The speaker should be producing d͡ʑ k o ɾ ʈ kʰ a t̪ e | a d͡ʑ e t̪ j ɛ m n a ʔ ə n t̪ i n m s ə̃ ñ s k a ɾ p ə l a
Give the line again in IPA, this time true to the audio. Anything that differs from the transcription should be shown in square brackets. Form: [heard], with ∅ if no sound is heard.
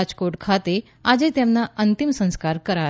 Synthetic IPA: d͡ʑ k o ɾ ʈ kʰ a t̪ e | a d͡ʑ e t̪ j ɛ m n a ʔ ə n t̪ i [∅] m s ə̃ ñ s k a ɾ [k] ə [ɾ] a